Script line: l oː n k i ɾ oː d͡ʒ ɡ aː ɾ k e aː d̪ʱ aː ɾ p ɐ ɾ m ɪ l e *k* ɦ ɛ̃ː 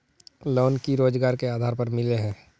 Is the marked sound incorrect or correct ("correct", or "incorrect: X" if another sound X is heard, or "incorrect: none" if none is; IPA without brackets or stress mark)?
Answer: incorrect: none